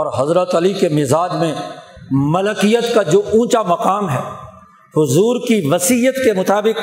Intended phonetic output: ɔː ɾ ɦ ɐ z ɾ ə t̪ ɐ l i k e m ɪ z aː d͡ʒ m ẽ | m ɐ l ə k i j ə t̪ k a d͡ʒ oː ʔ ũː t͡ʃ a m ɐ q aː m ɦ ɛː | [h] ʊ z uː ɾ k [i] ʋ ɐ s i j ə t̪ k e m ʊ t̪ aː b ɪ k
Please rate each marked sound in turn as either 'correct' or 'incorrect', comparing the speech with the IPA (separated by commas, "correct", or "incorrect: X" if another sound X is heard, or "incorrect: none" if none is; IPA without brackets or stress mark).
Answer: correct, correct